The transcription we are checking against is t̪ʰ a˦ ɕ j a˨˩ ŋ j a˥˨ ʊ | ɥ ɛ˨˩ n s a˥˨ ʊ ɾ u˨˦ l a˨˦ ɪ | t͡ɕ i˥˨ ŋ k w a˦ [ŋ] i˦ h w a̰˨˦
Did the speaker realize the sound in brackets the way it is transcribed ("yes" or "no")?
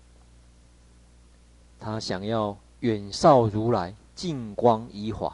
yes